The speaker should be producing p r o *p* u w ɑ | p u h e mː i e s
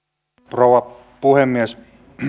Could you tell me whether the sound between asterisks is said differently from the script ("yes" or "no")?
yes